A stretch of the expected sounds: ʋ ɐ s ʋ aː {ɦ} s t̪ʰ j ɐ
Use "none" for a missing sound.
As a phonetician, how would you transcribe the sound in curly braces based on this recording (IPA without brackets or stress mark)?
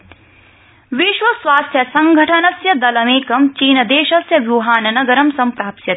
none